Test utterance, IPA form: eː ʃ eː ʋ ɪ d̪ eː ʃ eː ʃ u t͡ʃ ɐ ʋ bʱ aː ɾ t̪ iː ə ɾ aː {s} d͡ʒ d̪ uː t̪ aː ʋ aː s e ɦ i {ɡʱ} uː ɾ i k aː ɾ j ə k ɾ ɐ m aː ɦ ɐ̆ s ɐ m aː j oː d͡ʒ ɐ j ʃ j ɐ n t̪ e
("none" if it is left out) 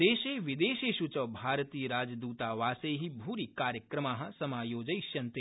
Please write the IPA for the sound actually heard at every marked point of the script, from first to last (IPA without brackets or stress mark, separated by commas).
none, bʱ